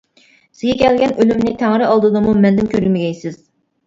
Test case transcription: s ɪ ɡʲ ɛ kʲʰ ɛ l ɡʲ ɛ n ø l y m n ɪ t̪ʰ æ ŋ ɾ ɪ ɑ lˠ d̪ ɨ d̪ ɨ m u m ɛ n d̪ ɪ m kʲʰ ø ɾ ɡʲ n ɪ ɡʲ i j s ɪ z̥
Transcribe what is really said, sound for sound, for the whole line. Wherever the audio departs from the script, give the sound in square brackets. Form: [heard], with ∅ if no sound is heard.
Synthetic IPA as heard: s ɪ ɡʲ ɛ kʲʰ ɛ l ɡʲ ɛ n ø l y m n ɪ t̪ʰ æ ŋ ɾ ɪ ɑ lˠ d̪ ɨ d̪ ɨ m u m ɛ n d̪ ɪ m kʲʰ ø ɾ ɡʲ [m] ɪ ɡʲ [ɛ] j s ɪ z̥